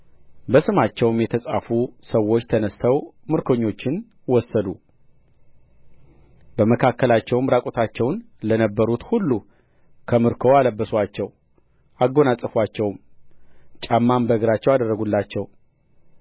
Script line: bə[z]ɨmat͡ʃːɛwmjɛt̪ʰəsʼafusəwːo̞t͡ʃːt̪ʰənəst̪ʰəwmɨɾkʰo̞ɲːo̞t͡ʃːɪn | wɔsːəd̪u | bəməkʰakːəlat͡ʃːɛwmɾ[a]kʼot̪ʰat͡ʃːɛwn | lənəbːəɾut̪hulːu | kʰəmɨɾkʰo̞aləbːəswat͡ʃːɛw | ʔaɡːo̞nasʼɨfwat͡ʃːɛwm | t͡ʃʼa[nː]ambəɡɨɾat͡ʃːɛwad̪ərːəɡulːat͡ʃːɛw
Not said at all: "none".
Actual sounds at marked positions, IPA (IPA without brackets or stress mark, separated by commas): s, a, mː